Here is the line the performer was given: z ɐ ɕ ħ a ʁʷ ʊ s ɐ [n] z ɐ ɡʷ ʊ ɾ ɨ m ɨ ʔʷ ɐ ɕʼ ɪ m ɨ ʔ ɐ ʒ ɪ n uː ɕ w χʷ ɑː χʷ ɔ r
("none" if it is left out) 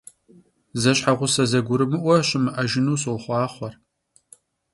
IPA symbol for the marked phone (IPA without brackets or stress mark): none